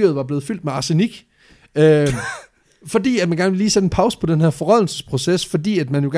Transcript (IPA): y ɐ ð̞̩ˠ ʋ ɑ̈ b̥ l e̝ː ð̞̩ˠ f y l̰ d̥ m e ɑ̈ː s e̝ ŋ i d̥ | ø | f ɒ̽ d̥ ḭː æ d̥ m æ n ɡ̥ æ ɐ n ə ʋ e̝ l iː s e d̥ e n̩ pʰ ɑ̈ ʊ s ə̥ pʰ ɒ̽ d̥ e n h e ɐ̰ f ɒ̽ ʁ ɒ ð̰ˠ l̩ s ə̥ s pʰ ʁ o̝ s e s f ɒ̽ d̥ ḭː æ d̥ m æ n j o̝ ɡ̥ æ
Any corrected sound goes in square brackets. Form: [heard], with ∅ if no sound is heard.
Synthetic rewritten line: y ɐ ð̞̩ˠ ʋ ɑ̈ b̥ l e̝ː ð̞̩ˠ f y l̰ d̥ m e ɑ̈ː s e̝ [n] i [ɡ̥] | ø | f ɒ̽ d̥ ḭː æ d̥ m æ n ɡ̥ æ ɐ n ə ʋ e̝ l iː s e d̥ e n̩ pʰ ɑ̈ ʊ s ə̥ pʰ ɒ̽ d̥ e n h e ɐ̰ f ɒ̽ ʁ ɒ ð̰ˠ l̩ s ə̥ s pʰ ʁ o̝ s e s f ɒ̽ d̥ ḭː æ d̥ m æ n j o̝ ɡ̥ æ